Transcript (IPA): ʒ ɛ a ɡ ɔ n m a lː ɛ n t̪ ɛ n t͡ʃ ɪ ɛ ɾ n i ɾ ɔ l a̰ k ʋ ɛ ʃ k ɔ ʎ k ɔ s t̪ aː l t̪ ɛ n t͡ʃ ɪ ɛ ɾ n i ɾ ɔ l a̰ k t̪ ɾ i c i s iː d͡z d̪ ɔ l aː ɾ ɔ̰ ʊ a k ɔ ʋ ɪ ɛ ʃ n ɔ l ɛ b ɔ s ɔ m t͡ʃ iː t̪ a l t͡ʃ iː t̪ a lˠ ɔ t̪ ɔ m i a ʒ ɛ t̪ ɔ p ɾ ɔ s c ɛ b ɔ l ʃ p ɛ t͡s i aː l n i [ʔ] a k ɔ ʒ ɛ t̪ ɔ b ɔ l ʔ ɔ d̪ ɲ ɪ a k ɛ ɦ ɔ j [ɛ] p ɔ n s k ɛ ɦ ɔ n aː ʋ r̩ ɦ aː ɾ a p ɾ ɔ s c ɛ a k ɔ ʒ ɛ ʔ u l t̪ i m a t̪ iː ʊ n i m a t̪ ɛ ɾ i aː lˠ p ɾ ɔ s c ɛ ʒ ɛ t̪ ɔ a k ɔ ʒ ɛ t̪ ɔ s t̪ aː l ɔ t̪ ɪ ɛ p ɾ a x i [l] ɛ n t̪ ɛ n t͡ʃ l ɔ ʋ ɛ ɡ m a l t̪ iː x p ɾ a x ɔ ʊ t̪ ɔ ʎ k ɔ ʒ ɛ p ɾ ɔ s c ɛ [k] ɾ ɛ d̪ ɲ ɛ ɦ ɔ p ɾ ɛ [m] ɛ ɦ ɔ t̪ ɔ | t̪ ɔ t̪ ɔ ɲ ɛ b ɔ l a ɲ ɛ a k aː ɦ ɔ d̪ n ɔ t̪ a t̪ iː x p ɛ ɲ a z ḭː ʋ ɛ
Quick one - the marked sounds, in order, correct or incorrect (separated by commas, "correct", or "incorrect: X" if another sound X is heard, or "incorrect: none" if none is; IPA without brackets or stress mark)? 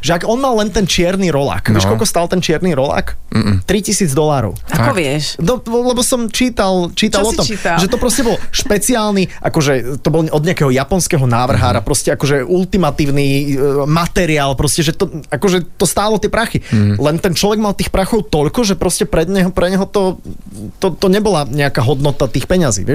correct, incorrect: a, correct, incorrect: p, incorrect: ɲ